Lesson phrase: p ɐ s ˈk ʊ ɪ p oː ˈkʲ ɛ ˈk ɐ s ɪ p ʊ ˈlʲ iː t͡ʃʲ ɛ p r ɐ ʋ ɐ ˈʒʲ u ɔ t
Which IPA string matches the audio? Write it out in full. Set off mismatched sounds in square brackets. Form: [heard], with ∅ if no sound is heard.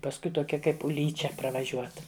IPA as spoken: p ɐ s ˈk ʊ ɪ [t] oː ˈkʲ ɛ ˈk ɐ [∅] ɪ p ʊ ˈlʲ iː t͡ʃʲ ɛ p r ɐ ʋ ɐ ˈʒʲ u ɔ t